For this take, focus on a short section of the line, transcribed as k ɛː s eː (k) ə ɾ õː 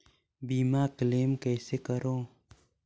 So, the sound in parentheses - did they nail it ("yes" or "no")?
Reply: yes